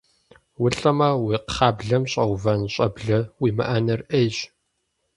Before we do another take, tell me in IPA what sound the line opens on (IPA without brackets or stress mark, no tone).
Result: w